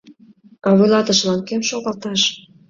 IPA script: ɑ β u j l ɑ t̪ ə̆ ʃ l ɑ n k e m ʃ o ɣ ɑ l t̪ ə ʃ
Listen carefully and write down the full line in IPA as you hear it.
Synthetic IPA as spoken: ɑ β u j l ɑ t̪ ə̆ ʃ l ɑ n k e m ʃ o ɣ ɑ l t̪ ɑ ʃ